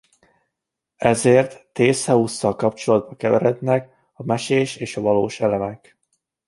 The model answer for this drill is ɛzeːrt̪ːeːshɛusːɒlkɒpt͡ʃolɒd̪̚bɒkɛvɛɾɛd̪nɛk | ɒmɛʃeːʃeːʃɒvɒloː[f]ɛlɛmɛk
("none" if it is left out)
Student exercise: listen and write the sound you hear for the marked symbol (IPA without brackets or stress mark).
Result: ʃ